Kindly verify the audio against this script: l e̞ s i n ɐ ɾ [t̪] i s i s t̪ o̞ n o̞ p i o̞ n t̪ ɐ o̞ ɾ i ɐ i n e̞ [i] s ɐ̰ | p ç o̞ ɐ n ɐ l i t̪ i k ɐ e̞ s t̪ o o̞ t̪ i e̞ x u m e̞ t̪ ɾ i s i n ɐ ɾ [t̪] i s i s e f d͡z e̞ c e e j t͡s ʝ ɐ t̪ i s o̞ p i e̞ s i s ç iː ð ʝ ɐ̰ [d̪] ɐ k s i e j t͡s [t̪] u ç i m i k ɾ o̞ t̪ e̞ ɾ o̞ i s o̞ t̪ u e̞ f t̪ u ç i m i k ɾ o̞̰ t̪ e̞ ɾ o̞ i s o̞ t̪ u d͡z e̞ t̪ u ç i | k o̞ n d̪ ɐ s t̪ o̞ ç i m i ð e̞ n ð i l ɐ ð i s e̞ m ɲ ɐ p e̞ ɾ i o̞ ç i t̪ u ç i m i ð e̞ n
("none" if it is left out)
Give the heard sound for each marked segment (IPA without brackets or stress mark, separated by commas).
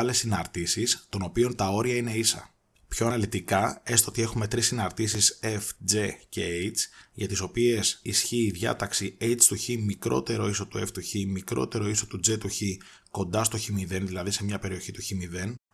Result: t̪, i, t̪, t̪, t̪